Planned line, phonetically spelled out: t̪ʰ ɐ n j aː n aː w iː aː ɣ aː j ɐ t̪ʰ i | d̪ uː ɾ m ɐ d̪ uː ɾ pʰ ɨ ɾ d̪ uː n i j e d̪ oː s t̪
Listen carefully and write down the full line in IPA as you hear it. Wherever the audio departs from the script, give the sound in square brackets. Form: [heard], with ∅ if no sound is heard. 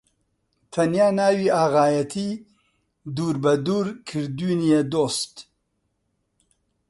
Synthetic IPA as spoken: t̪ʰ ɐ n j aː n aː w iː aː ɣ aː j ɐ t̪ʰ i | d̪ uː ɾ [b] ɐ d̪ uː ɾ [kʰ] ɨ ɾ d̪ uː n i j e d̪ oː s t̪